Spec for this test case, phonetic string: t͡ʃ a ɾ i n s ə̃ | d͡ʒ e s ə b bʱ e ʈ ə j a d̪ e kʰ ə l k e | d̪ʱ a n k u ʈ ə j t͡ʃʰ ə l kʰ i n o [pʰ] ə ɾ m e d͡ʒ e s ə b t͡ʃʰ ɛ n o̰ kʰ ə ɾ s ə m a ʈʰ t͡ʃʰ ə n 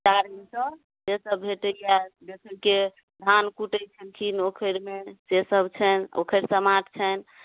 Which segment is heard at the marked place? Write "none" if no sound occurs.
kʰ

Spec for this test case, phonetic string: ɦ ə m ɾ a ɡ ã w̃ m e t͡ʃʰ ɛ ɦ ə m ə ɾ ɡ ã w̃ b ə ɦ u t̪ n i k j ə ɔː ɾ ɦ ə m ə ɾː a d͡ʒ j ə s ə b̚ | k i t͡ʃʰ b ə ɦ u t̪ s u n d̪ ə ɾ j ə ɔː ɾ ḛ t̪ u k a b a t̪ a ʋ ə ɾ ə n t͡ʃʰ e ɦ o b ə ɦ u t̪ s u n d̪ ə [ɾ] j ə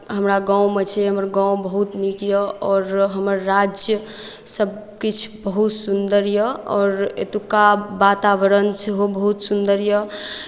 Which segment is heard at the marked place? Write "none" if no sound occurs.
ɾ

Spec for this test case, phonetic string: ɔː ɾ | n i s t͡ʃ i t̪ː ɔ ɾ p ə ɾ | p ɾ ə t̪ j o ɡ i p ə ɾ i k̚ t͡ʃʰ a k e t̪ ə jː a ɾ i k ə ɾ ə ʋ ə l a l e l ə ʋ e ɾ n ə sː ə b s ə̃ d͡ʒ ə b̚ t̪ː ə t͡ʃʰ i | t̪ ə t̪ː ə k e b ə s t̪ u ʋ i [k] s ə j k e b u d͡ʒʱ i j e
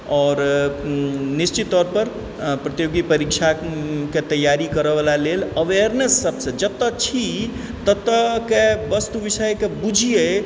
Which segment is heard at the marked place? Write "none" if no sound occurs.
none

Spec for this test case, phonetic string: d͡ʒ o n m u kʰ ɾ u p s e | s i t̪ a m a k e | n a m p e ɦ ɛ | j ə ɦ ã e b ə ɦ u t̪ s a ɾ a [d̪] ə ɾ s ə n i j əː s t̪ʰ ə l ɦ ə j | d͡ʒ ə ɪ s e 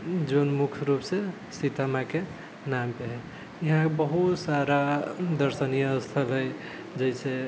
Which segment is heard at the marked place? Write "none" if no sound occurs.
d̪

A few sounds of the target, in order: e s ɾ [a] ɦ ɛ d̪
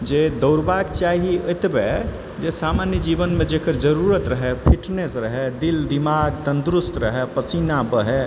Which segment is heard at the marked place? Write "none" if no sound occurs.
ə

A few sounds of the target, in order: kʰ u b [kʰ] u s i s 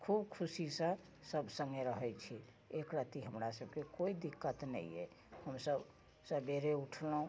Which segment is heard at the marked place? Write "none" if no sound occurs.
kʰ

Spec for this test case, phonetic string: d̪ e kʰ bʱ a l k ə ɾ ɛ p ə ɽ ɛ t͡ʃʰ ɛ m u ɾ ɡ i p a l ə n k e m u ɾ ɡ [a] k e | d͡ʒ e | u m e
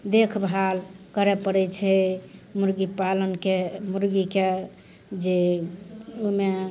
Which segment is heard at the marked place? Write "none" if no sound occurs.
i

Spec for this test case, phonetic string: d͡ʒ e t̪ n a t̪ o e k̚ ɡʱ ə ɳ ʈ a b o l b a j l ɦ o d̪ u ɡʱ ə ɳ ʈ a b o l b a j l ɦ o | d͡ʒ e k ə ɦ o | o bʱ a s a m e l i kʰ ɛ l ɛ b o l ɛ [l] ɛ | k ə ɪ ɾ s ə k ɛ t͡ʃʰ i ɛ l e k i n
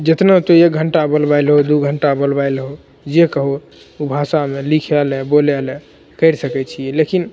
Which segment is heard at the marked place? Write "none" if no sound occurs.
l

